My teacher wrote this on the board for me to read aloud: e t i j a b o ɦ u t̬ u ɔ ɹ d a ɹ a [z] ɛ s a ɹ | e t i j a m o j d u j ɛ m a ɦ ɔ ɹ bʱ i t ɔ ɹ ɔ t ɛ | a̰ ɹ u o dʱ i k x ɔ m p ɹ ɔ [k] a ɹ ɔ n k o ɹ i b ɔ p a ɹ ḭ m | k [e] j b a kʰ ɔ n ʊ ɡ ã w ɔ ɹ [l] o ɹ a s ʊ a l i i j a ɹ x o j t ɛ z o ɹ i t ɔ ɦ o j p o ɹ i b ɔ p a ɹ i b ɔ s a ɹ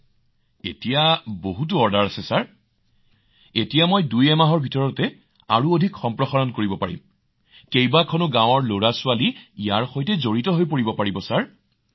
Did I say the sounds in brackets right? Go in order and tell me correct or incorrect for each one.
incorrect: s, incorrect: x, correct, correct

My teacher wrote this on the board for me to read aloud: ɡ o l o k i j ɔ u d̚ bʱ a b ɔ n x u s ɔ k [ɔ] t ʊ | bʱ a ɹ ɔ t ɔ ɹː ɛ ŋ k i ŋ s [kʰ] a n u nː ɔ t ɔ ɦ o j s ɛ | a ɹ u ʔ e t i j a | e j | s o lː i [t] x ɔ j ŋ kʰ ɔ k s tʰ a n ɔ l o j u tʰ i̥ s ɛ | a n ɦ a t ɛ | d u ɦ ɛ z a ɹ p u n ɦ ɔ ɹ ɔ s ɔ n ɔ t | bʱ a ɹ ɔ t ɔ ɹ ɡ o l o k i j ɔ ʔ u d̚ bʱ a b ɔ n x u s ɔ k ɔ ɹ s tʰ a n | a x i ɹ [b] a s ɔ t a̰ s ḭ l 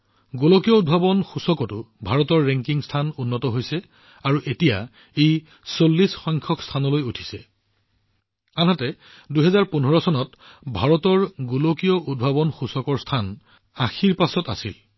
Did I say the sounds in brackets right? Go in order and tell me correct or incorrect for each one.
correct, incorrect: tʰ, incorrect: s, incorrect: p

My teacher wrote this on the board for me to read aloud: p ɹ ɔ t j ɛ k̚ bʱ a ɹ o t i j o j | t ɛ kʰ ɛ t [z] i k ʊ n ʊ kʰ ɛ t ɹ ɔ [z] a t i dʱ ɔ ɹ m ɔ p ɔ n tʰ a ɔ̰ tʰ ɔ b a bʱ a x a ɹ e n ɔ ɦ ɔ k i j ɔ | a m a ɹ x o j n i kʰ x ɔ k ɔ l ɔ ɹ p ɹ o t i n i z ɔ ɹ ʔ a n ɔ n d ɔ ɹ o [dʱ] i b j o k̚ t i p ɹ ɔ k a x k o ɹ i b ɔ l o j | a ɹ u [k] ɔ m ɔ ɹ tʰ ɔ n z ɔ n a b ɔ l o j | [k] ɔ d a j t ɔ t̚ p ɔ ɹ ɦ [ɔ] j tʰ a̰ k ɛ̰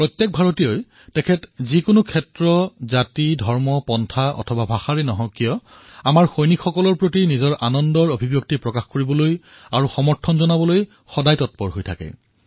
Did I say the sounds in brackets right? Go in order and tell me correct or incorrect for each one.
correct, correct, incorrect: bʱ, incorrect: x, incorrect: x, incorrect: o

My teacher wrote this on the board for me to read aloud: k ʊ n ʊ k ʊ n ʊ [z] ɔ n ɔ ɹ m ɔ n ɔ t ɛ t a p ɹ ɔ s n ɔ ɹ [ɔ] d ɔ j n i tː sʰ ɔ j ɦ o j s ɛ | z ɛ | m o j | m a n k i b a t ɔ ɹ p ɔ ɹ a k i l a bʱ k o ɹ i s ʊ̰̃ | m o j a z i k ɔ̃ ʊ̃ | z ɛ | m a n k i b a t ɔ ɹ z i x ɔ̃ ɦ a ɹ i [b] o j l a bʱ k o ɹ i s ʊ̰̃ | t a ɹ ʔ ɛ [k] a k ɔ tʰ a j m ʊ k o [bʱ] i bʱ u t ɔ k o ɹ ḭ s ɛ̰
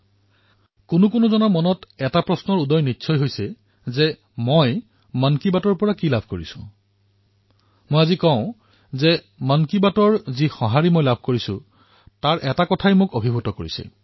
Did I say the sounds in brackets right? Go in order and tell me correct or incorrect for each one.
correct, incorrect: u, incorrect: m, incorrect: t, correct

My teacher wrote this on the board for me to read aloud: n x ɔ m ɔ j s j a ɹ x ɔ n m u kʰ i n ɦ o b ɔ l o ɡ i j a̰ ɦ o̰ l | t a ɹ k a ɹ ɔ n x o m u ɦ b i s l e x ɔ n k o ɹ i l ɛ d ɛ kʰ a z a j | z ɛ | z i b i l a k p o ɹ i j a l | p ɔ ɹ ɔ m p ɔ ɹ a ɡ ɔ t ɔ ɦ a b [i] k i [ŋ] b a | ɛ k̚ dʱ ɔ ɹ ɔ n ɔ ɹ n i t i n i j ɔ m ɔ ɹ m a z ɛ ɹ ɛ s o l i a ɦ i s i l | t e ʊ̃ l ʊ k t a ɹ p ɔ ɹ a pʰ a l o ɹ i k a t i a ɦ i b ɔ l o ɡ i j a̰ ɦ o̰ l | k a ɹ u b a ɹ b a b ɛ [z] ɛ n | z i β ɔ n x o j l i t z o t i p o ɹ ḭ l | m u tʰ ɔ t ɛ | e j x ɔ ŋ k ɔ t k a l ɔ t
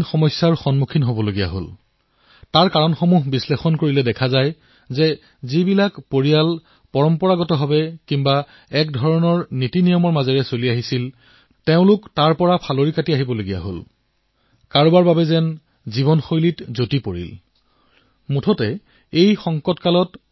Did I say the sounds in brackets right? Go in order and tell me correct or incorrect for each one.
incorrect: ɛ, incorrect: m, correct

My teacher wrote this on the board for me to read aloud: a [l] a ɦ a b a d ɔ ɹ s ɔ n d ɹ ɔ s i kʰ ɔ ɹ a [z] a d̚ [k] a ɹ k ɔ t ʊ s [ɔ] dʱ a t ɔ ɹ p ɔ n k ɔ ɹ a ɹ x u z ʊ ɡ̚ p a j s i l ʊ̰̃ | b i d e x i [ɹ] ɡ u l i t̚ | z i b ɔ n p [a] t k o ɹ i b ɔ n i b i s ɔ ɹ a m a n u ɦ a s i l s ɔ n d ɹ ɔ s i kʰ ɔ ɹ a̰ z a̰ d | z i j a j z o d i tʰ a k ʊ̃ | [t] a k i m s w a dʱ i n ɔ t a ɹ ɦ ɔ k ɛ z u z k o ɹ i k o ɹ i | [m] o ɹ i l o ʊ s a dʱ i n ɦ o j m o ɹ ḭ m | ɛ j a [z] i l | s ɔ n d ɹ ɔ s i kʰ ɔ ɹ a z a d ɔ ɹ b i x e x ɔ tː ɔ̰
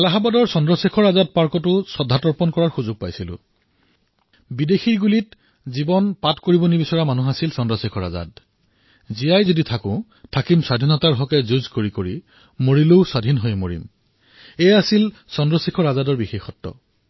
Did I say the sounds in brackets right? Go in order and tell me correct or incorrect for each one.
correct, correct, incorrect: p, correct, correct, correct, incorrect: tʰ, correct, incorrect: s

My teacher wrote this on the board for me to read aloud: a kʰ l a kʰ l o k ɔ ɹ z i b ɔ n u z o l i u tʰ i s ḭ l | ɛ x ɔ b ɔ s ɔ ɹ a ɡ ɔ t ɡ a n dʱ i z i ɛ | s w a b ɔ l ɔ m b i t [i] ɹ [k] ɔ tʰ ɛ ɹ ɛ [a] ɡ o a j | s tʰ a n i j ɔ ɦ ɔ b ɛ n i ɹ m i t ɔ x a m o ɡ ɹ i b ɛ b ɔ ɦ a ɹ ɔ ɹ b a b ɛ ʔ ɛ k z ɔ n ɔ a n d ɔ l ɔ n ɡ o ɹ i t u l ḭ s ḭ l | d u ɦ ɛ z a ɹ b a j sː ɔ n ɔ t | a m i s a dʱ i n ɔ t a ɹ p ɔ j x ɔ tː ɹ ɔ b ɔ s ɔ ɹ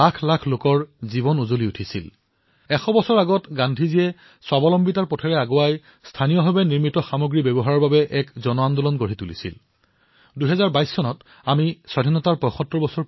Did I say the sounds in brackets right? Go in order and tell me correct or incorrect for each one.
incorrect: a, incorrect: p, correct

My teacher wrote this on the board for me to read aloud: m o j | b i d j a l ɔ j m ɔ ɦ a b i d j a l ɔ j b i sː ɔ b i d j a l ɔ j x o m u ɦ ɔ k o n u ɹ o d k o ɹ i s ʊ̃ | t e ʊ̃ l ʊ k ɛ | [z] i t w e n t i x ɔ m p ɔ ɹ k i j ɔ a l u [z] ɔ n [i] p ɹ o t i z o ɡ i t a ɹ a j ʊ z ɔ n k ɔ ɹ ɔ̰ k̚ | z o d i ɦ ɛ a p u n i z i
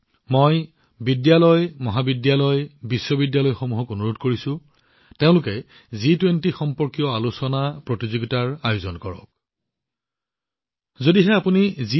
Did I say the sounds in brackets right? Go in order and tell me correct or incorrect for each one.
correct, incorrect: s, incorrect: a

